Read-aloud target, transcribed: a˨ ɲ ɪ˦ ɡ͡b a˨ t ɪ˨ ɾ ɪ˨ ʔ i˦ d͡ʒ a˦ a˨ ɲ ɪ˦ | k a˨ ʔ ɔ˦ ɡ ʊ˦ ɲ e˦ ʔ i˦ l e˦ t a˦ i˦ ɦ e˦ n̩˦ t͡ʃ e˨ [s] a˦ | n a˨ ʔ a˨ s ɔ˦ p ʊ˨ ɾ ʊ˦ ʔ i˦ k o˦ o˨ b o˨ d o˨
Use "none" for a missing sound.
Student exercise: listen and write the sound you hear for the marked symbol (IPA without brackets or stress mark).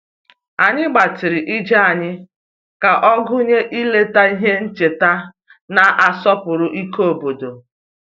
t